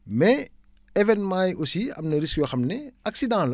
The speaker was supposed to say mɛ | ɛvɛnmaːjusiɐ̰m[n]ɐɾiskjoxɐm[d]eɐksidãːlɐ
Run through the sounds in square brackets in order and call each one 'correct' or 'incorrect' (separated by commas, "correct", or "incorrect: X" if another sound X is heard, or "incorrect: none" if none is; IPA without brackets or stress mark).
correct, incorrect: n